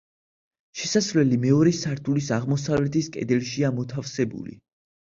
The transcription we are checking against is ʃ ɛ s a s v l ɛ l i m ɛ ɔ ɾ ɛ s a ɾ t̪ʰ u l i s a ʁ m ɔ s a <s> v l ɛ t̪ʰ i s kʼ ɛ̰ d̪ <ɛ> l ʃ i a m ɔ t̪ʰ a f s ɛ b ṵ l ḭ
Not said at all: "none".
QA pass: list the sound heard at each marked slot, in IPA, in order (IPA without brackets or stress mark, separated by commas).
none, ɛ